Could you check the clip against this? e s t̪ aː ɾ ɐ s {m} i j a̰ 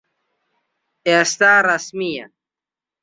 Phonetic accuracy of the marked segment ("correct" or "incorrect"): correct